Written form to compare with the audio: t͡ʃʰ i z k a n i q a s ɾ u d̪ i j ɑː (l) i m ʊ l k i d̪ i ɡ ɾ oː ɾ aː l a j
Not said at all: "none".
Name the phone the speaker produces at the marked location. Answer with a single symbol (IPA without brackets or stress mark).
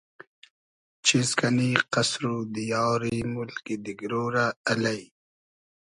ɾ